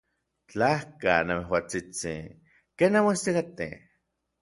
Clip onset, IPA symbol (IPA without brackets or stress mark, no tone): t͡ɬ